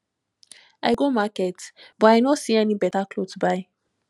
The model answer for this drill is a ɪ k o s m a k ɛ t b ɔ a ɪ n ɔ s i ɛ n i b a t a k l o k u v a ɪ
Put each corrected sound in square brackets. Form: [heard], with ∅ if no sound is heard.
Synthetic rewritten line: a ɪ [ɡ] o [∅] m a k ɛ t b ɔ a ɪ n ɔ s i ɛ n i b [ɛ] t a k l o [t] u [b] a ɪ

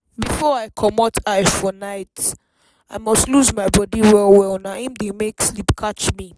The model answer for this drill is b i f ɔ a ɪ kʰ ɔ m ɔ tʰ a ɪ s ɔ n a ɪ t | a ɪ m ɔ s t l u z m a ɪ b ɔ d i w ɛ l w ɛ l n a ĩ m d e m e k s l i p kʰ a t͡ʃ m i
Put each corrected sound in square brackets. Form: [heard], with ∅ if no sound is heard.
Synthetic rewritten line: b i f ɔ a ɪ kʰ ɔ m ɔ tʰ a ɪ [f] ɔ n a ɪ t | a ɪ m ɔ s t l u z m a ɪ b ɔ d i w ɛ l w ɛ l n a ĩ m d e m e k s l i p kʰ a t͡ʃ m i

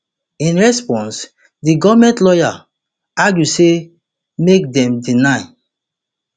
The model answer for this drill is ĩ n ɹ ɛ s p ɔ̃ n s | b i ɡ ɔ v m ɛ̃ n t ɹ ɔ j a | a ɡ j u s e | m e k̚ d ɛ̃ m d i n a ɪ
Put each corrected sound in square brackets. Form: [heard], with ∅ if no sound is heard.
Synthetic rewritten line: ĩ n ɹ ɛ s p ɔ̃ n s | [d] i ɡ ɔ v m ɛ̃ n t [l] ɔ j a | a ɡ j u s e | m e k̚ d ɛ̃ m d i n a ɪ

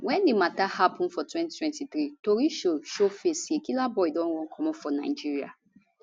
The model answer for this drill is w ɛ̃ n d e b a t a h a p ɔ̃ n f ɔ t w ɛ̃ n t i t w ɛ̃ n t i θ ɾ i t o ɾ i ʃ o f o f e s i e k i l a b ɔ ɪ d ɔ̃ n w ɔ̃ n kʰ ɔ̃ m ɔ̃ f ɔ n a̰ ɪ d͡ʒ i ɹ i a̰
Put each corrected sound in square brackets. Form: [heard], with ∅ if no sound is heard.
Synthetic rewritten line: w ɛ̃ n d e [m] a t a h a p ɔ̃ n f ɔ t w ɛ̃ n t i t w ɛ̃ n t i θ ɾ i t o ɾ i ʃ o [ʃ] o f e s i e k i l a b ɔ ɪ d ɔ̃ n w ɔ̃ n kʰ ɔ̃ m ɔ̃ f ɔ n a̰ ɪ d͡ʒ i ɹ i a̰

